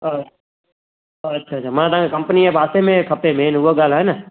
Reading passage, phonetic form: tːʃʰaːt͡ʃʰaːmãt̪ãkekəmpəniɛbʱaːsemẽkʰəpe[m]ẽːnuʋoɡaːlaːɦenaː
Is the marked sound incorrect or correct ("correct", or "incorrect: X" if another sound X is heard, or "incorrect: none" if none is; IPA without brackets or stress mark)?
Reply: correct